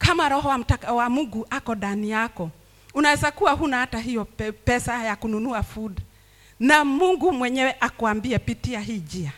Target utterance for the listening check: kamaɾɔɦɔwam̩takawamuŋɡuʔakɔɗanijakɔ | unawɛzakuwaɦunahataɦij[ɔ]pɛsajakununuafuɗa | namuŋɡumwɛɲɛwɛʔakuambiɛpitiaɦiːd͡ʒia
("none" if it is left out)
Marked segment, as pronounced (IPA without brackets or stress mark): ɔ